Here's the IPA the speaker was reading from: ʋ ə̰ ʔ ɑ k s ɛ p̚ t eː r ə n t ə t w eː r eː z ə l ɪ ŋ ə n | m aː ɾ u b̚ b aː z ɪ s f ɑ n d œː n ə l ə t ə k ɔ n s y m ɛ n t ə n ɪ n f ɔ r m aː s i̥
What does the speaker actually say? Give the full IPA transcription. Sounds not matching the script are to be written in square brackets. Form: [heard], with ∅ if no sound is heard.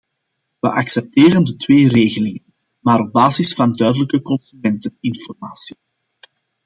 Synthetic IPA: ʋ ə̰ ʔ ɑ k s ɛ p̚ t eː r ə n [d] ə t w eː r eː [ɣ] ə l ɪ ŋ ə n | m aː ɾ [ɔ] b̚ b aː z ɪ s f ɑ n d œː [d] ə l ə [k] ə k ɔ n s y m ɛ n t ə n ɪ n f ɔ r m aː s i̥